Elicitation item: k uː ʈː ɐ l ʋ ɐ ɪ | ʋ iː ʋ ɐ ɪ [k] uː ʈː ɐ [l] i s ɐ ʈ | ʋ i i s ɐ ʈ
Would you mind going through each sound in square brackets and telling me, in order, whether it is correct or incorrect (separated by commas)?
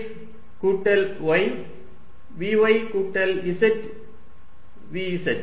correct, correct